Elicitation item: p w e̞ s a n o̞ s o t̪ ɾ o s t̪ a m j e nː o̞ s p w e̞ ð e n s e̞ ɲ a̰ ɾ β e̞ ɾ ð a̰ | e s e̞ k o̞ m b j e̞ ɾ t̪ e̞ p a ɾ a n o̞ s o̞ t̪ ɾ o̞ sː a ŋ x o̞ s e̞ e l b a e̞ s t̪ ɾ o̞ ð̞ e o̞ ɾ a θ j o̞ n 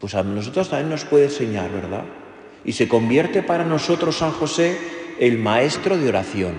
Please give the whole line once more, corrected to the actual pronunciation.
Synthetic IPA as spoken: p w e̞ s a n o̞ s o t̪ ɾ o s t̪ a m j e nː o̞ s p w e̞ ð e n s e̞ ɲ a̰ ɾ β e̞ ɾ ð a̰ | i s e̞ k o̞ m b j e̞ ɾ t̪ e̞ p a ɾ a n o̞ s o̞ t̪ ɾ o̞ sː a ŋ x o̞ s e̞ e l m a e̞ s t̪ ɾ o̞ ð̞ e o̞ ɾ a θ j o̞ n